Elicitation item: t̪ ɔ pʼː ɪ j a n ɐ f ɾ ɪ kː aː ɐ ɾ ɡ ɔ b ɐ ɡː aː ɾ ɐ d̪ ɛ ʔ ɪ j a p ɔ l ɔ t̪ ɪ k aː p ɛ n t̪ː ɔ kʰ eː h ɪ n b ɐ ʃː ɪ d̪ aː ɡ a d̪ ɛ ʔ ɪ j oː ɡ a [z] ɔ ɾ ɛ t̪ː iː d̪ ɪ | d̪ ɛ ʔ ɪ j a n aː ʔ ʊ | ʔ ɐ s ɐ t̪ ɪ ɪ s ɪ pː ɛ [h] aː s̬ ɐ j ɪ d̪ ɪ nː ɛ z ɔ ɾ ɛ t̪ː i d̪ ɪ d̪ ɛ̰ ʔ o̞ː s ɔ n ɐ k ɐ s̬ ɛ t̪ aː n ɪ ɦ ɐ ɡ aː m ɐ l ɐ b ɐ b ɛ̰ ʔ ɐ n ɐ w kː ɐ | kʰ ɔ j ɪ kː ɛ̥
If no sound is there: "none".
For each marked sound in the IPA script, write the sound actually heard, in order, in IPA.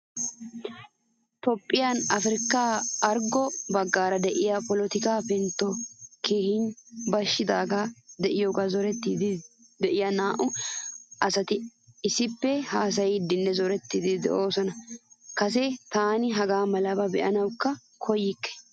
z, h

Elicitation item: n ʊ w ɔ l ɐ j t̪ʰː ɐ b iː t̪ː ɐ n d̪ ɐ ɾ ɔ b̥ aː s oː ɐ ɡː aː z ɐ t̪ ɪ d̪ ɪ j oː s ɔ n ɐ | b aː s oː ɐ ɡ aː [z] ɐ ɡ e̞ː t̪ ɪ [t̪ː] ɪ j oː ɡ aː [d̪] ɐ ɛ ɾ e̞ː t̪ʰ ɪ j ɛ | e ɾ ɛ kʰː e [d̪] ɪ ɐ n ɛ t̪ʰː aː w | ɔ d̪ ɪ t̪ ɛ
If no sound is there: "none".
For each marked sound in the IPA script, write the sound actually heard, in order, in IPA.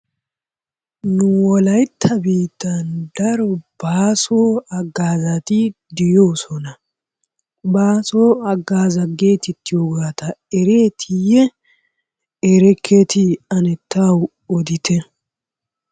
z, t̪ː, t̪, t̪

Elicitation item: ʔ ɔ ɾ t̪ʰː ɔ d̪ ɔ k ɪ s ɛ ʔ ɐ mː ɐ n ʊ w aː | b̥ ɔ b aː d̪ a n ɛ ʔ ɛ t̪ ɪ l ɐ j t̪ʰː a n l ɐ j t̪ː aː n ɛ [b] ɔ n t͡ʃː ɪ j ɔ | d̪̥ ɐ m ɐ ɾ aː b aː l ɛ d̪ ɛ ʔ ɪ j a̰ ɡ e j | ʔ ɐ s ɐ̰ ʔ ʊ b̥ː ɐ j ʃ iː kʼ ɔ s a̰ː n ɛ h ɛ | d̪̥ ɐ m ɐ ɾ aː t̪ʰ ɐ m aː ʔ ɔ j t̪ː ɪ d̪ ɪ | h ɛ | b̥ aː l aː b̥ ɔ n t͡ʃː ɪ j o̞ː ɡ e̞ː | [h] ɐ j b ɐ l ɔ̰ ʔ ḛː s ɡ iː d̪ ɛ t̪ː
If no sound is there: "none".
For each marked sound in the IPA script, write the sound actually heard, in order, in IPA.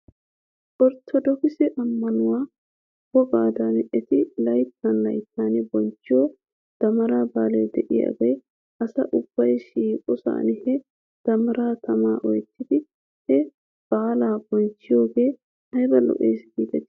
b, h

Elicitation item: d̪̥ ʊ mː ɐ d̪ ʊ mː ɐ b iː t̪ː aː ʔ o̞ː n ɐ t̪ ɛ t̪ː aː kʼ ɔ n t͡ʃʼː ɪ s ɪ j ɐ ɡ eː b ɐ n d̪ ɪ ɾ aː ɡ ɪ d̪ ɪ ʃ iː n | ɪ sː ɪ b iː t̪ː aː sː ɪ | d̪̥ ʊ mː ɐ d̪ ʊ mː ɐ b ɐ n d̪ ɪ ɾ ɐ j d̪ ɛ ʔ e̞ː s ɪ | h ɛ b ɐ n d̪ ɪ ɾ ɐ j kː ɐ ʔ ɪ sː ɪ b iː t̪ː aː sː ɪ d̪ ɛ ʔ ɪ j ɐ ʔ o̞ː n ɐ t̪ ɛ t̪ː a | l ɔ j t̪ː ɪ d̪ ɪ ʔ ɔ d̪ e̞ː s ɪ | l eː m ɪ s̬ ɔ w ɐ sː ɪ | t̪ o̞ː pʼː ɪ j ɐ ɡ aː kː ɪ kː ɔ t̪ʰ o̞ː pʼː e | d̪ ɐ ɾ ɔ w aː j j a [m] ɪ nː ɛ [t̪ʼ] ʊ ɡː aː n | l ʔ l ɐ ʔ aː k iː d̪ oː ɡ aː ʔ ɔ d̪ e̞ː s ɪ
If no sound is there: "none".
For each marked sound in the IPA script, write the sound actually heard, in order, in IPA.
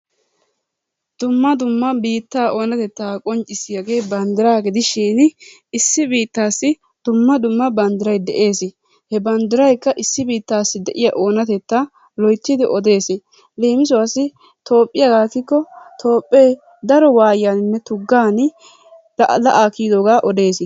n, t̪

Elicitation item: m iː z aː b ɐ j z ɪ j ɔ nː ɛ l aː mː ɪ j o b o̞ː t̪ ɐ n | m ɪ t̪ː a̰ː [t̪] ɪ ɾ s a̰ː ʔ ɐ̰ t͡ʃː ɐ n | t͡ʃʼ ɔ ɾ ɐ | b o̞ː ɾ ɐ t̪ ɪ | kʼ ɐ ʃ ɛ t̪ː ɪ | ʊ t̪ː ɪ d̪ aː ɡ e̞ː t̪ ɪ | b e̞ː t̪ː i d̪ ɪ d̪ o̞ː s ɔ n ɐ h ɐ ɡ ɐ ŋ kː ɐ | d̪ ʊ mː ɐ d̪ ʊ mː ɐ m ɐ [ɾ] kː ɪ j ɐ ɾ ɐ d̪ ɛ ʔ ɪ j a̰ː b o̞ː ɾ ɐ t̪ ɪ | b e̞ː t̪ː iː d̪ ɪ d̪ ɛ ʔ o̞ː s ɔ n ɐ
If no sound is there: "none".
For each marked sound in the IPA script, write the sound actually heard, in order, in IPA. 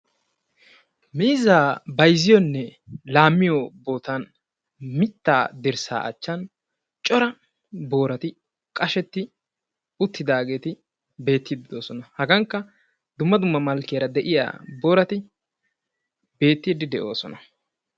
d̪, l

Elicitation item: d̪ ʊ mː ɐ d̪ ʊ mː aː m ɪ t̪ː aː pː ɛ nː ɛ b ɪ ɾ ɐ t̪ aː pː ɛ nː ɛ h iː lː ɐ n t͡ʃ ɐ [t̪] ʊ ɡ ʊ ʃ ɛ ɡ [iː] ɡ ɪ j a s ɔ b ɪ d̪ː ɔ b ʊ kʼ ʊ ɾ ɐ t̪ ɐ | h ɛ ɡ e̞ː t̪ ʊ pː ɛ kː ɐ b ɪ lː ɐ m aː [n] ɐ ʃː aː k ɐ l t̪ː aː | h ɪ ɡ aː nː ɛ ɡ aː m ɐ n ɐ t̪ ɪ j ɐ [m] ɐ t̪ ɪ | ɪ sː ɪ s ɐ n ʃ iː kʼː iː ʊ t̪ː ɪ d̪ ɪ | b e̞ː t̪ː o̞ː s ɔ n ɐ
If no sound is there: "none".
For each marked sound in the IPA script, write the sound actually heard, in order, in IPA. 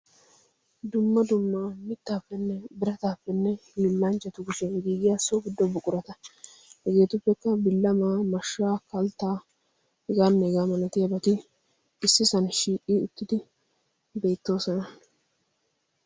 t̪, iː, m, b

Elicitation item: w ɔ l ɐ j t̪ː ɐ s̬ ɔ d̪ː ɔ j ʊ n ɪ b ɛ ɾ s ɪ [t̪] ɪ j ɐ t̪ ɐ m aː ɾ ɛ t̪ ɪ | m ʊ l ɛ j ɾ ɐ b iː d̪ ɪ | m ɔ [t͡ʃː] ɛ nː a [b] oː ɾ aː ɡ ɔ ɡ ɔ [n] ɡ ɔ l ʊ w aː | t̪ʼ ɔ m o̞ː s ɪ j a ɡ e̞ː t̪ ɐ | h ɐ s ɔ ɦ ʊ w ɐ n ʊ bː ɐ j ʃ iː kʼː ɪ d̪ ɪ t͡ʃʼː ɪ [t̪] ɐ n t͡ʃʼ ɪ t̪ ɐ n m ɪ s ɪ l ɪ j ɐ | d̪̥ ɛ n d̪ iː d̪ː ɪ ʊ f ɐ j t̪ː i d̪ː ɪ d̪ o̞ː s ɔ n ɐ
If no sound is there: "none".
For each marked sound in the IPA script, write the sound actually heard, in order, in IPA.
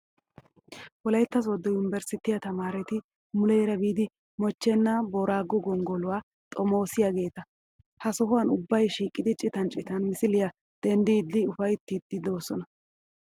t̪, t͡ʃː, b, ŋ, t̪

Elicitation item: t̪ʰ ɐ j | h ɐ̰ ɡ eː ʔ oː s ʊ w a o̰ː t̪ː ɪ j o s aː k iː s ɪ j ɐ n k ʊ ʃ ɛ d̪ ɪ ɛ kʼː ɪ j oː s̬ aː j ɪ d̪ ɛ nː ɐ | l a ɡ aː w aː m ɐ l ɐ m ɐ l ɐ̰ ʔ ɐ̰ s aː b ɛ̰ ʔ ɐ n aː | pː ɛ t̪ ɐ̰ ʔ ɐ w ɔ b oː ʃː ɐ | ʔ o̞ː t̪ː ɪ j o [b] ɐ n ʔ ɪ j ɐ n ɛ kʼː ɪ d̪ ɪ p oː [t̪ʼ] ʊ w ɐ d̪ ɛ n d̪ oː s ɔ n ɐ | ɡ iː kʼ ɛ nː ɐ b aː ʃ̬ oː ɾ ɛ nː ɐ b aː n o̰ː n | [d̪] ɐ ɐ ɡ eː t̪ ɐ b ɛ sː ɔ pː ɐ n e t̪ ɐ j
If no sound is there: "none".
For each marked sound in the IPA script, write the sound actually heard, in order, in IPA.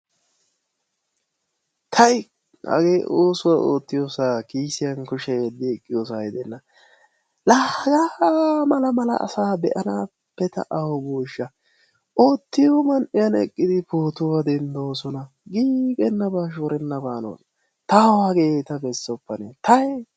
m, t̪, t̪

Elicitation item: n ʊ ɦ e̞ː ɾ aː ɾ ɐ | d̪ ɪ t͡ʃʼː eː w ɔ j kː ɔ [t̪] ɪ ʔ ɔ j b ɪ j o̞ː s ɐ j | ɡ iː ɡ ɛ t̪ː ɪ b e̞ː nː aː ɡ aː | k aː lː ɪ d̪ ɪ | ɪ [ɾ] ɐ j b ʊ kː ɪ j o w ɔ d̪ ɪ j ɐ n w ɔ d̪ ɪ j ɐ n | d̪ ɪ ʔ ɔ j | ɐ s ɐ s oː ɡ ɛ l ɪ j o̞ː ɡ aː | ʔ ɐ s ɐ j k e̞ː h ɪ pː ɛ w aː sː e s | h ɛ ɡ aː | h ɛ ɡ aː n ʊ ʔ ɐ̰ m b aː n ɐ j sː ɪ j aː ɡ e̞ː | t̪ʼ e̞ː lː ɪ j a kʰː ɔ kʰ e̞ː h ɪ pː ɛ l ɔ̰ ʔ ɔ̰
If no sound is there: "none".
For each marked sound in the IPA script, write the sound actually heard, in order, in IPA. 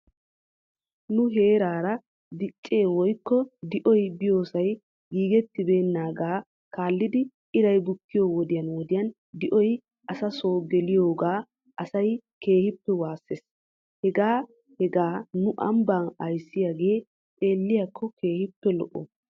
d̪, ɾ

